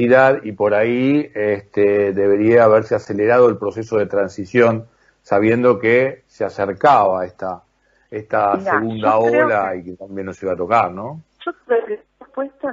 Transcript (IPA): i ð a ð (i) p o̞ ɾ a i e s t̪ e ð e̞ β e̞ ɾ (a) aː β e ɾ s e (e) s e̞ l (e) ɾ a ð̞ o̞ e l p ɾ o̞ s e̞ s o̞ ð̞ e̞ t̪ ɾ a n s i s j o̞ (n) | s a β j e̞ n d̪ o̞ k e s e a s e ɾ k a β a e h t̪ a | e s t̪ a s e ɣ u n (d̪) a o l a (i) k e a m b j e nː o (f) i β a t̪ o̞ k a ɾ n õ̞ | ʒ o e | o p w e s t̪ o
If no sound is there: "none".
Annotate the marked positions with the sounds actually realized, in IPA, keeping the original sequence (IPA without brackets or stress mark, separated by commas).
i, i, a, e, n, d̪, i, s